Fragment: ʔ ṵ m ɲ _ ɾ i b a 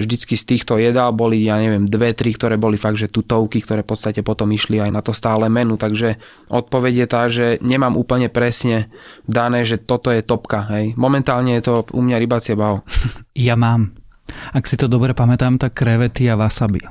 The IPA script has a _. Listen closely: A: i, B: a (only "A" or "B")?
B